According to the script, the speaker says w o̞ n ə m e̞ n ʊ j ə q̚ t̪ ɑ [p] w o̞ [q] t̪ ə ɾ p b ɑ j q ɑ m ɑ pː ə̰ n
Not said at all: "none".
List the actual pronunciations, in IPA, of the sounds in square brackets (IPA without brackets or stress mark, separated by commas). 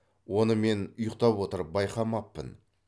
p, none